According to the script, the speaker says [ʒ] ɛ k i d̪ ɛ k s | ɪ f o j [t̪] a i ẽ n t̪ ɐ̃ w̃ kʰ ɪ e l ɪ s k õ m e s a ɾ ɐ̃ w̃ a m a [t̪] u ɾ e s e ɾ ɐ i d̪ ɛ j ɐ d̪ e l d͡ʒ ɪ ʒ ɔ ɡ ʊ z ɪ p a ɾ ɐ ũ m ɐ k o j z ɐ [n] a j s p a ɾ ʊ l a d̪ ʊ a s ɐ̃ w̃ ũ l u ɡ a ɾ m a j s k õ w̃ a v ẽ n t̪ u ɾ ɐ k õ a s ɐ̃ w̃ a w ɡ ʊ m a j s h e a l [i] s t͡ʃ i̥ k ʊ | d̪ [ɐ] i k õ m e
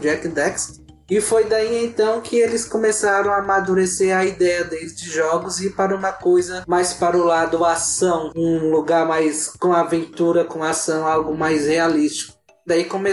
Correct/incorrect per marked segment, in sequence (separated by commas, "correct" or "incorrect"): incorrect, incorrect, incorrect, incorrect, correct, incorrect